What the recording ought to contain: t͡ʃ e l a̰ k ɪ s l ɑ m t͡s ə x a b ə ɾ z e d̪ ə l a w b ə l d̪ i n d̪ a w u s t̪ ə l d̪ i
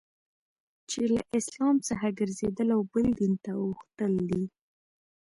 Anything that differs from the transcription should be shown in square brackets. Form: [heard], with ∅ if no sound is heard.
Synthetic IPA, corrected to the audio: t͡ʃ e l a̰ [ʔ] ɪ s l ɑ m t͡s ə x a [ɡ] ə ɾ z e d̪ ə l a w b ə l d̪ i n [t̪] a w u [x] t̪ ə l d̪ i